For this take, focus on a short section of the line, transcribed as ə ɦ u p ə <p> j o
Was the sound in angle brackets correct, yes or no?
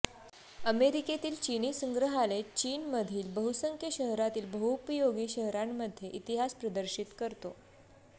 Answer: no